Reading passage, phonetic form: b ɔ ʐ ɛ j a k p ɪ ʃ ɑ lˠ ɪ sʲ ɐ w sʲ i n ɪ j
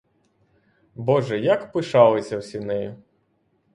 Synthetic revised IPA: b ɔ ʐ ɛ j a k p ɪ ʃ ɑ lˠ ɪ sʲ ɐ w sʲ i n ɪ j